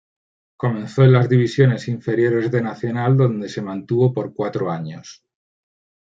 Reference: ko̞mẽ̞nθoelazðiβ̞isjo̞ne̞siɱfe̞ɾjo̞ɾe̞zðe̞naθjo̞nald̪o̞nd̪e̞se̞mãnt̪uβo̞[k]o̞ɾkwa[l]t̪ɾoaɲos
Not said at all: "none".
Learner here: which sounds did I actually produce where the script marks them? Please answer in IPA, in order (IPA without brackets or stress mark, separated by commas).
p, none